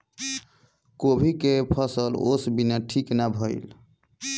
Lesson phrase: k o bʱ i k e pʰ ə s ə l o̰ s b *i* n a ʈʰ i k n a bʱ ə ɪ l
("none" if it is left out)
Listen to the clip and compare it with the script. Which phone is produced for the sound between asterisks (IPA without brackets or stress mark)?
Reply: i